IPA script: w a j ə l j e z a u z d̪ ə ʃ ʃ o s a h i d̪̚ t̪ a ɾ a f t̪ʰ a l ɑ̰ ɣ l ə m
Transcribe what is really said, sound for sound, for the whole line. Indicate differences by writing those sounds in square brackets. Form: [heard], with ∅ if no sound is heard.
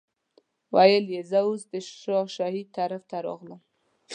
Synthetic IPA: w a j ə l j e z a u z d̪ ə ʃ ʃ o [ʃ] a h i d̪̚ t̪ a ɾ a f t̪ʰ a [ɾ] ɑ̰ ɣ l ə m